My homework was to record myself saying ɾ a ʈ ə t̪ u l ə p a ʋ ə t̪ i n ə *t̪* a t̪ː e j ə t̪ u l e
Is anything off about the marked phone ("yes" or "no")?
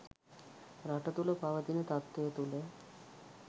no